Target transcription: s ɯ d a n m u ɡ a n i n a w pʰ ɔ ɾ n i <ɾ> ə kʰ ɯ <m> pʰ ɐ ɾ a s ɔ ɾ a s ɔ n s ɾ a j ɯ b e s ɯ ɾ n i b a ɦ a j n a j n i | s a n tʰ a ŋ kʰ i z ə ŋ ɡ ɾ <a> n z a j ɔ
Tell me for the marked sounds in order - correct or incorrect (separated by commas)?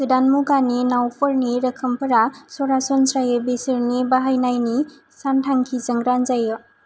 correct, correct, correct